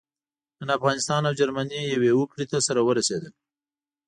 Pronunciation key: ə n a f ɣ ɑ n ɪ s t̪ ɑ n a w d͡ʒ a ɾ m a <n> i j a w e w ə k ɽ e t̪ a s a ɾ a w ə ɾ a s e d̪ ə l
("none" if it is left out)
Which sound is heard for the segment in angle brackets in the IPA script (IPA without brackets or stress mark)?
n